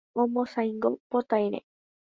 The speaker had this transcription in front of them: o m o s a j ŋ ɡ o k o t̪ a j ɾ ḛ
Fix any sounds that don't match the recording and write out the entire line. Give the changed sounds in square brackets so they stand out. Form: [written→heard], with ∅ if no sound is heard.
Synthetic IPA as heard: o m o s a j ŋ ɡ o [k→p] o t̪ a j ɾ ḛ